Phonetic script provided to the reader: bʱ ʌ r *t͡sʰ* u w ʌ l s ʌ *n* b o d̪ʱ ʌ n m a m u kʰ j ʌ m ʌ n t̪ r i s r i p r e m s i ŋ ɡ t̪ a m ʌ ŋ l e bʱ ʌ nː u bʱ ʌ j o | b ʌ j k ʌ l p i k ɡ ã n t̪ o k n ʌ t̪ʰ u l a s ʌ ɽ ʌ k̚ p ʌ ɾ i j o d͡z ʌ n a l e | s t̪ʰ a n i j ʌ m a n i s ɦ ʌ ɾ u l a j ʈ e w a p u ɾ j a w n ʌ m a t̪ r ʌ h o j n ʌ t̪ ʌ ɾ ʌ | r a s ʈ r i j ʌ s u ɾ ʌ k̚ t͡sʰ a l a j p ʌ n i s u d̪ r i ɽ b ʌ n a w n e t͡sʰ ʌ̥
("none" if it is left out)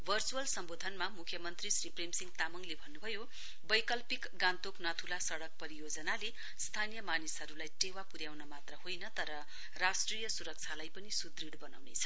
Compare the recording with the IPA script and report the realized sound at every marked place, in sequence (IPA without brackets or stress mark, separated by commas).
t͡s, m